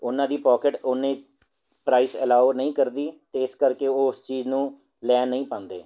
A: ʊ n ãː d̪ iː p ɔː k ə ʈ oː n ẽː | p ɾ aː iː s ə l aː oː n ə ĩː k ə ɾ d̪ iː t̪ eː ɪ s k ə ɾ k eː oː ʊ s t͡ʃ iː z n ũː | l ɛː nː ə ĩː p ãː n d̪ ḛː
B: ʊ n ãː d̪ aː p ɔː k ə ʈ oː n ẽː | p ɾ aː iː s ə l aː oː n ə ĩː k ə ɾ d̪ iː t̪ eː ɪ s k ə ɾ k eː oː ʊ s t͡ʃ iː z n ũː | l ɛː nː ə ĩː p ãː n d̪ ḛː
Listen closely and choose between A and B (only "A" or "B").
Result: A